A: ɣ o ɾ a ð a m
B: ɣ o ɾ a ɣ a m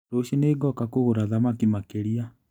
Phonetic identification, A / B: A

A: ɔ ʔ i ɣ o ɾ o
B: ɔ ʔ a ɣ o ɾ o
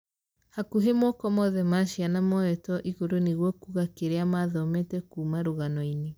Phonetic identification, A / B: A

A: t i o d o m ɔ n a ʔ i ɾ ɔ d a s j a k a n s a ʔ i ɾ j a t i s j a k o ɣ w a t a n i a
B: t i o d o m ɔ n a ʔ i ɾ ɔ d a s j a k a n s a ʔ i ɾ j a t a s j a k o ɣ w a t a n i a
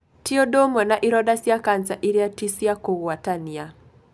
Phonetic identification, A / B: A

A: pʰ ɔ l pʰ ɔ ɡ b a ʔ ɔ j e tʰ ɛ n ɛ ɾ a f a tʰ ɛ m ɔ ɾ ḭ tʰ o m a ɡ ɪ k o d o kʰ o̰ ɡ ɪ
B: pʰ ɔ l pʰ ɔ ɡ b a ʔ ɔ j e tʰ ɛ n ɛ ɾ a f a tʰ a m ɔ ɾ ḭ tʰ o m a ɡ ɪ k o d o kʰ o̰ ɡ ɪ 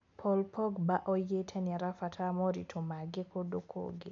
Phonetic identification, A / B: B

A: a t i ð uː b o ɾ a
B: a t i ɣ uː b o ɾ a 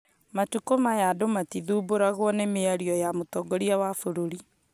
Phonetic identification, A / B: A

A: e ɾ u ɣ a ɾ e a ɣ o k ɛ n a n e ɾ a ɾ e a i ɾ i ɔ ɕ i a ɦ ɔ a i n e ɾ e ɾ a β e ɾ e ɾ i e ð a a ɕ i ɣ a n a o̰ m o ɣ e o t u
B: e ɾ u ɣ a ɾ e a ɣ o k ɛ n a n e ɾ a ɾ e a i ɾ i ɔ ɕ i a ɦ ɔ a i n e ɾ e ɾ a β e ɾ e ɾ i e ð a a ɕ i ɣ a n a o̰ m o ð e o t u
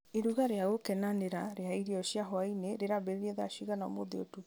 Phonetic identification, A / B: B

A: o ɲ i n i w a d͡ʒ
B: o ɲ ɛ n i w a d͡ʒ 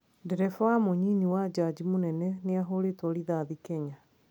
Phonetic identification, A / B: A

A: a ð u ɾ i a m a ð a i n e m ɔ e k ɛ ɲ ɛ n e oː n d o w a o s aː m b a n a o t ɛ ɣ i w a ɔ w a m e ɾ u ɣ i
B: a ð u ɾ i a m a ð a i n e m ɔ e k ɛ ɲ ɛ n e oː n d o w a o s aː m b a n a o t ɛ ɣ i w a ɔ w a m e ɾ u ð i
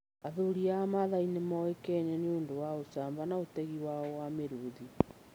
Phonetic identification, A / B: B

